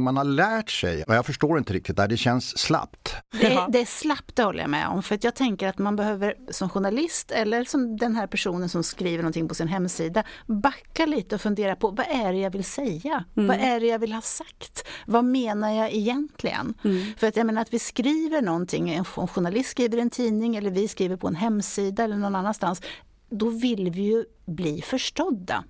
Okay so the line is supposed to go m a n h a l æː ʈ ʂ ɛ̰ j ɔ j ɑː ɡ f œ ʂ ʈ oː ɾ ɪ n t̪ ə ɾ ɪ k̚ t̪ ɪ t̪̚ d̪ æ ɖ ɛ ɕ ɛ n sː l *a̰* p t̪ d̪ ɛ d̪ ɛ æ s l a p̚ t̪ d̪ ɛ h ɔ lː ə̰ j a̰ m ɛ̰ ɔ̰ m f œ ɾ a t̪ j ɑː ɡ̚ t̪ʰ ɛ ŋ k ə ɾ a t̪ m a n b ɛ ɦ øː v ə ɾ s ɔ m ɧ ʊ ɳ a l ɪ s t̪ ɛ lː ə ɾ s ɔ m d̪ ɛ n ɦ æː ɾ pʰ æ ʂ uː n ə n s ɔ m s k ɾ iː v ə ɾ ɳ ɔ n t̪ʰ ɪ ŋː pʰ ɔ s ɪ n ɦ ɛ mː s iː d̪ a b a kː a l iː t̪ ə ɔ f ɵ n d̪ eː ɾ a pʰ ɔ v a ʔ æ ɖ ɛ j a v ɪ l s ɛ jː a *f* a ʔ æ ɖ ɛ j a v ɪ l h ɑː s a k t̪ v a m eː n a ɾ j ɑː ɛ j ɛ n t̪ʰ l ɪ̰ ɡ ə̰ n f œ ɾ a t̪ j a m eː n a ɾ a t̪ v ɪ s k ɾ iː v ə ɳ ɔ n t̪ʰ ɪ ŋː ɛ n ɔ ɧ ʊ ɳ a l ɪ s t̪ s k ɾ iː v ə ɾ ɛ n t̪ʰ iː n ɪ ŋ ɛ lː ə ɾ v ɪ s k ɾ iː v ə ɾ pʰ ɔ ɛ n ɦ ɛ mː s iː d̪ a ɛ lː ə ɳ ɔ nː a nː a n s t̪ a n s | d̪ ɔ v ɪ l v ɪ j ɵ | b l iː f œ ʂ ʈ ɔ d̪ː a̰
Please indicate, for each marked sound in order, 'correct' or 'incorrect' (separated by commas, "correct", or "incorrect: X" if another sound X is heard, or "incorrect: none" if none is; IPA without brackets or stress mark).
correct, incorrect: v